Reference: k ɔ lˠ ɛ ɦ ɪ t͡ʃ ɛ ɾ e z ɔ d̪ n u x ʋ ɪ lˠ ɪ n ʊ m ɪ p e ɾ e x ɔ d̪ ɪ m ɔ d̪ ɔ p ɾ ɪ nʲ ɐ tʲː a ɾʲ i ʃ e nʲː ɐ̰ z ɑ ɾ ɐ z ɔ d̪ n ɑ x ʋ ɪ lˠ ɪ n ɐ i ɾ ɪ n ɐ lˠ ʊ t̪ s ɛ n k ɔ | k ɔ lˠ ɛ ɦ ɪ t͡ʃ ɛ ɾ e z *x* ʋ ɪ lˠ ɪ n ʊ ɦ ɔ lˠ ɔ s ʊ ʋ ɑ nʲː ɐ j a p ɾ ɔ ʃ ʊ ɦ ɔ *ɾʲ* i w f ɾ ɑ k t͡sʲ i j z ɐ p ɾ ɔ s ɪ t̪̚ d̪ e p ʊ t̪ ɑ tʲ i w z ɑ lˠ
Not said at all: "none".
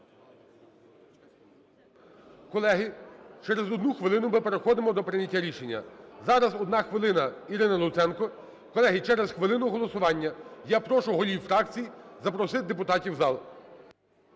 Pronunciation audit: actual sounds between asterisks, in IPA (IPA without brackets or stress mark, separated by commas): x, lʲ